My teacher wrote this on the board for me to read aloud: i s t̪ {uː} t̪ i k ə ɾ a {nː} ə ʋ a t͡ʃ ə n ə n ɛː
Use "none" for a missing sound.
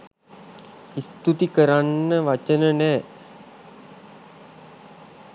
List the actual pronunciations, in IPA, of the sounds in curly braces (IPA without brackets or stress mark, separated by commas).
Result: u, nː